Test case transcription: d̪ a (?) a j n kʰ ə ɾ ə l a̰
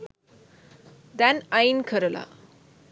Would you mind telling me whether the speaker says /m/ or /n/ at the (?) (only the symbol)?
n